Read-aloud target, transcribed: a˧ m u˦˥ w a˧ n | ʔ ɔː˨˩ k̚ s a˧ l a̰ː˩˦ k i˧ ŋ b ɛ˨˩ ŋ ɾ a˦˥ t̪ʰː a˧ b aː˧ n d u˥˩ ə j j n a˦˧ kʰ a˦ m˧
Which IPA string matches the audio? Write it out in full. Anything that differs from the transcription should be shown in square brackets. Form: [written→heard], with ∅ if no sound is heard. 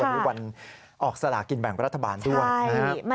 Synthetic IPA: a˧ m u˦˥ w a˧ n | ʔ ɔː˨˩ k̚ s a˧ l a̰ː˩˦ k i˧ [ŋ→n] b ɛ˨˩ ŋ ɾ a˦˥ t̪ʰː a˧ b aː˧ n d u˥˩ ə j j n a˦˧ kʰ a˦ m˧